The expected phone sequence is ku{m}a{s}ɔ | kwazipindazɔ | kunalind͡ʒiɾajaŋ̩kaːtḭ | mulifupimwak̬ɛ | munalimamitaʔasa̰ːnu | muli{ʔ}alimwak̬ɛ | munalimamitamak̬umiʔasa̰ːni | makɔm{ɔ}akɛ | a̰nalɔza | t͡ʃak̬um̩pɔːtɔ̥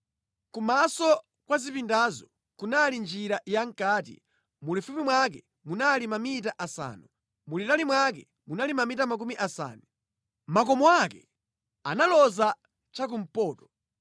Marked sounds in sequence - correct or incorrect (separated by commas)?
correct, correct, incorrect, correct